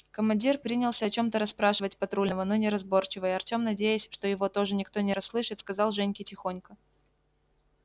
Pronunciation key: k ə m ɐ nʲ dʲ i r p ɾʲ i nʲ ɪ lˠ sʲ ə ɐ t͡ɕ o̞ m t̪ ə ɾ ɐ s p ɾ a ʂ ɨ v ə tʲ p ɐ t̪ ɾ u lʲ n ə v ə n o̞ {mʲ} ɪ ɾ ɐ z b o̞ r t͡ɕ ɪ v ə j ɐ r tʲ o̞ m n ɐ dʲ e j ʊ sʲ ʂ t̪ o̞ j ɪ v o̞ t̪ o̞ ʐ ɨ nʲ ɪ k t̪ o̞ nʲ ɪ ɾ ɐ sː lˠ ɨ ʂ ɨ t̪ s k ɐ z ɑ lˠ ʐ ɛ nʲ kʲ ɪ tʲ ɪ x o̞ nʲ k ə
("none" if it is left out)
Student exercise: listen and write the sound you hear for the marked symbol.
nʲ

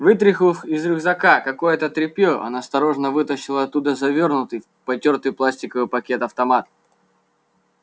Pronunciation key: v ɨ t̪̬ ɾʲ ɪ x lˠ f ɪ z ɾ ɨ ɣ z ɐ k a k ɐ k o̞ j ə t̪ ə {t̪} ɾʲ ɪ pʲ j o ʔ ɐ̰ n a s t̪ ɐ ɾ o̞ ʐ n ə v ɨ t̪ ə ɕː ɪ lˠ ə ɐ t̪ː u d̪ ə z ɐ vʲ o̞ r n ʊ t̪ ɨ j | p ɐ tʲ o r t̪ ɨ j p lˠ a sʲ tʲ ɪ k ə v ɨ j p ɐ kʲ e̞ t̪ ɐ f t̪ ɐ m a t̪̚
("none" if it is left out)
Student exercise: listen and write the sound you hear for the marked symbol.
t̪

